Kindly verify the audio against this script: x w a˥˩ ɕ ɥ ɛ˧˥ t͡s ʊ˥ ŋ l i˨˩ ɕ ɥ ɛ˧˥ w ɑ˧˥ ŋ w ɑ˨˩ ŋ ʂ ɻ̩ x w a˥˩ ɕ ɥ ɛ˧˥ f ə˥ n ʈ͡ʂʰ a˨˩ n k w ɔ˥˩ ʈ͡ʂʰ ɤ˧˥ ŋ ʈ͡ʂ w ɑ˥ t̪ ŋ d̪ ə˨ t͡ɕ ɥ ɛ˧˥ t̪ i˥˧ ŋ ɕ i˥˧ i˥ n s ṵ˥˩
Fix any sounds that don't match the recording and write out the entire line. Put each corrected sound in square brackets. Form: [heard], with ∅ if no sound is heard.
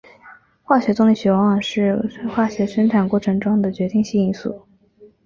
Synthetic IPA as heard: x w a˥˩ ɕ ɥ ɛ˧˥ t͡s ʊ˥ ŋ l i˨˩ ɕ ɥ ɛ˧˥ w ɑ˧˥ ŋ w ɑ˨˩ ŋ ʂ ɻ̩ x w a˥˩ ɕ ɥ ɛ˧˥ [ʂ] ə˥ n ʈ͡ʂʰ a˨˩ n k w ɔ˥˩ ʈ͡ʂʰ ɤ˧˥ ŋ ʈ͡ʂ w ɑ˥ [∅] ŋ d̪ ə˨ t͡ɕ ɥ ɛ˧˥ t̪ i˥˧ ŋ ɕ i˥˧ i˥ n s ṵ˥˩